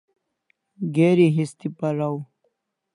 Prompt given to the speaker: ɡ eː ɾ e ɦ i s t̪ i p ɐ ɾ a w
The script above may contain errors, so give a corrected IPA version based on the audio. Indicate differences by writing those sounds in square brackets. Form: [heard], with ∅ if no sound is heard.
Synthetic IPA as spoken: ɡ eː ɾ [i] ɦ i s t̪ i p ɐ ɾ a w